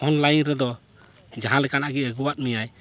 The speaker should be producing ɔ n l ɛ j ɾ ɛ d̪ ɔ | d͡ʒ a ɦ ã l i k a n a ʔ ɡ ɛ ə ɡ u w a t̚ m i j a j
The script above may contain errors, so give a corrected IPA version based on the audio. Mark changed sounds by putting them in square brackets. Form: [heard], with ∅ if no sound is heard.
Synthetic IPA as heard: ɔ n l [a] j ɾ ɛ d̪ ɔ | d͡ʒ a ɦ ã l [ɛ] k a n a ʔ ɡ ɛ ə ɡ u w a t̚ m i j a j